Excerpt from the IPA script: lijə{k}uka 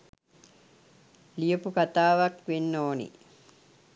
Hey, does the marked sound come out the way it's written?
no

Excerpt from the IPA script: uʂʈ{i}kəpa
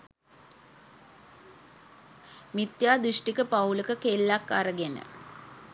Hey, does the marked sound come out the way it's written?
yes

